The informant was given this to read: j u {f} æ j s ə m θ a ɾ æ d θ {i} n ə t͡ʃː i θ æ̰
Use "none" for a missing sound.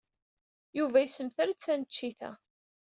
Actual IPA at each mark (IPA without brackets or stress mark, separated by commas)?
v, æ